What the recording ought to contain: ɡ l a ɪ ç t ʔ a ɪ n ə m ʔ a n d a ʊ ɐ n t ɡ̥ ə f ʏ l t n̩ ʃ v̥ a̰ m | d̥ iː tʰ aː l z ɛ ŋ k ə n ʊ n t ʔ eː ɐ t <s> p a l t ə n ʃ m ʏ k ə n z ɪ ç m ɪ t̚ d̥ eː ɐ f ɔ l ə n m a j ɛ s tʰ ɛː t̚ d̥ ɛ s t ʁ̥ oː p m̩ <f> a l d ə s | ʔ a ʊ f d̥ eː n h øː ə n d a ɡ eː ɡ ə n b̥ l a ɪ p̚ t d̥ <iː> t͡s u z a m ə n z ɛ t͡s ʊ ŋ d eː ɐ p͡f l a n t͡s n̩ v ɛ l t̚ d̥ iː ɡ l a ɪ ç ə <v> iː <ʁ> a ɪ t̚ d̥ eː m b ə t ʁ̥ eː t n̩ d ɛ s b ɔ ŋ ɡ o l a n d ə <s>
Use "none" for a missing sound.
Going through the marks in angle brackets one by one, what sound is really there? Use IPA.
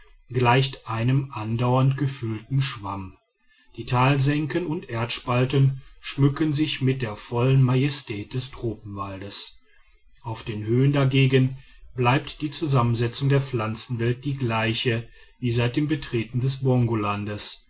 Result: ʃ, v, iː, v, z, s

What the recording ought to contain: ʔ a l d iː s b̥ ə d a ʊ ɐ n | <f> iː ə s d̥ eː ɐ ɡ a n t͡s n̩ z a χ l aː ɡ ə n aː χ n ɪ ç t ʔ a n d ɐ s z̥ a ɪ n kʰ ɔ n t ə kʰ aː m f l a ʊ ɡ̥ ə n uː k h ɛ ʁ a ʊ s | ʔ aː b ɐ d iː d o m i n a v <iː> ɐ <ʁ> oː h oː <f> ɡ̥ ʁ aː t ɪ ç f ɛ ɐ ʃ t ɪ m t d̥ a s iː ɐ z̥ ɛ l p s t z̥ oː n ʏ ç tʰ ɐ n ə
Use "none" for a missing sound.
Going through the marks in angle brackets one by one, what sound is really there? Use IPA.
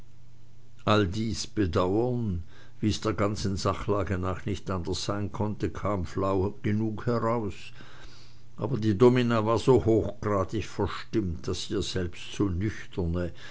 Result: v, aː, z, x

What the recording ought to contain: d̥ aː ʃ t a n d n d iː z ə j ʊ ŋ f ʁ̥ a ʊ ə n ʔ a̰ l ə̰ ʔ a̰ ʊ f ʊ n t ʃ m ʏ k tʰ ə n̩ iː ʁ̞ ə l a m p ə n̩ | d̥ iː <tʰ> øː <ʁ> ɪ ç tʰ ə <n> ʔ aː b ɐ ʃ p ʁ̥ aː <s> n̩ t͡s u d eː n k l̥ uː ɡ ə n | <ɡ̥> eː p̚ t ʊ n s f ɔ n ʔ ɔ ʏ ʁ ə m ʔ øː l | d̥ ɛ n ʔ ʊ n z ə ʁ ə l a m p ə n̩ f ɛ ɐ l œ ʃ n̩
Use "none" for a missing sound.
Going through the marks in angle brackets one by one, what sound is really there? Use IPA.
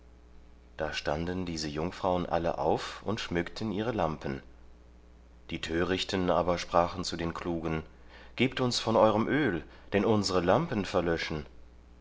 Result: tʰ, ʁ, n, χ, ɡ̥

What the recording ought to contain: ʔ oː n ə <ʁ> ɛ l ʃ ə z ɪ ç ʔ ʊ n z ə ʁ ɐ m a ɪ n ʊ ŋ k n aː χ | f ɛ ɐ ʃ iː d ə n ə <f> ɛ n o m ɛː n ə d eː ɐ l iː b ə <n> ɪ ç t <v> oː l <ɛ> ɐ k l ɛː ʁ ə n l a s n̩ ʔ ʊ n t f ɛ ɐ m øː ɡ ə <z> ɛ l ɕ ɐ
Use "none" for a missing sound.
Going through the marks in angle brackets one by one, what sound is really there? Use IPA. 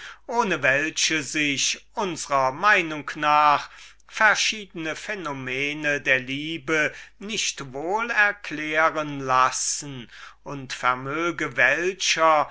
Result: v, f, n, v, ɛ, v

